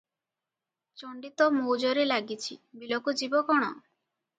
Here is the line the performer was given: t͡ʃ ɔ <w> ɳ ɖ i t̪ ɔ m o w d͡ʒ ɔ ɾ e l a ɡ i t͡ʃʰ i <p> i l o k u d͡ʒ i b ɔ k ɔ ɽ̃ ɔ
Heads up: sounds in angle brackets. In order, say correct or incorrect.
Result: incorrect, incorrect

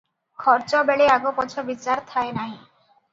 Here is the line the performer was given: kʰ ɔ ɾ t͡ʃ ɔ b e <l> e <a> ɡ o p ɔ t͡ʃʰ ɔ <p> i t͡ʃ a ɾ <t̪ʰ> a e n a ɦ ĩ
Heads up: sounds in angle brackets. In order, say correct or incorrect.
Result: incorrect, correct, incorrect, correct

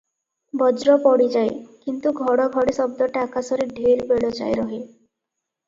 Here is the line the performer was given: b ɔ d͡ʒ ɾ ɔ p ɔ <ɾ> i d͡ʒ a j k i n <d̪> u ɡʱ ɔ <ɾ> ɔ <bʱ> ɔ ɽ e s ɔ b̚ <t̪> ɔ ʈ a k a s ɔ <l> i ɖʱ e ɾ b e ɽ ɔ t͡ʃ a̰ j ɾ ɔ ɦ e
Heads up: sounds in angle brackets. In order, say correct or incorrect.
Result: incorrect, incorrect, incorrect, incorrect, incorrect, incorrect

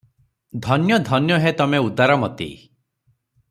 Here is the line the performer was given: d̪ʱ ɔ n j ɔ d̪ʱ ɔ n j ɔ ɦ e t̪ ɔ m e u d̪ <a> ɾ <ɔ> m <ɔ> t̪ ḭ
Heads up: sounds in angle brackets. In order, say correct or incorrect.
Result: correct, correct, correct

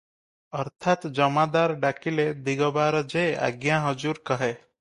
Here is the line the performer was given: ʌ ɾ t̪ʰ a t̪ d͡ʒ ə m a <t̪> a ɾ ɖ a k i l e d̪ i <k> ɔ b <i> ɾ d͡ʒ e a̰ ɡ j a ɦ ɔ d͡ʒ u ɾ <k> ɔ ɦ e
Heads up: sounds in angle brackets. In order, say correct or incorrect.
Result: incorrect, incorrect, incorrect, correct

